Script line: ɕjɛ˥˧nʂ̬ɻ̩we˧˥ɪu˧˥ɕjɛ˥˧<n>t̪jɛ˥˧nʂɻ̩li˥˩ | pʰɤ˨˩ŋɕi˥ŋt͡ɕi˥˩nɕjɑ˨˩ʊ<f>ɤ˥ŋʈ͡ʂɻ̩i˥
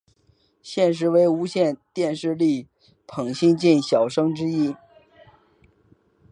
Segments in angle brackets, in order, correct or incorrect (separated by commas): correct, incorrect